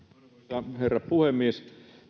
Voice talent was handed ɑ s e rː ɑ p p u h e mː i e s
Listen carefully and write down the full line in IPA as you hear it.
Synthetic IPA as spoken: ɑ h e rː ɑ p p u h e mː i e s